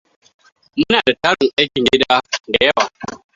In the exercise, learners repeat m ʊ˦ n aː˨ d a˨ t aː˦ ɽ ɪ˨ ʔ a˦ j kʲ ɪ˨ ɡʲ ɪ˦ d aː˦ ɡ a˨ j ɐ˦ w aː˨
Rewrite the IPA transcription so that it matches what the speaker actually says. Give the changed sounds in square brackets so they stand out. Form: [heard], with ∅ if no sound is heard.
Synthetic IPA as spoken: m ʊ˦ n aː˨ d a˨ t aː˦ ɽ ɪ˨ ʔ a˦ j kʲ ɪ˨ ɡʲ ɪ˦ d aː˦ [d] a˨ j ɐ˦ w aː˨